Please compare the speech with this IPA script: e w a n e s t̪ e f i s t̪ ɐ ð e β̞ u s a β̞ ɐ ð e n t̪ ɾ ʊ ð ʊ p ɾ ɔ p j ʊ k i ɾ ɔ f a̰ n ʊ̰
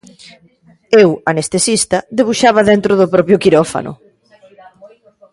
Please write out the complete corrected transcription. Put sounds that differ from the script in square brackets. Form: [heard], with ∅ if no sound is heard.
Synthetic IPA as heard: e w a n e s t̪ e [s] i s t̪ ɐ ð e β̞ u [ʃ] a β̞ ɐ ð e n t̪ ɾ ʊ ð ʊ p ɾ ɔ p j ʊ k i ɾ ɔ f a̰ n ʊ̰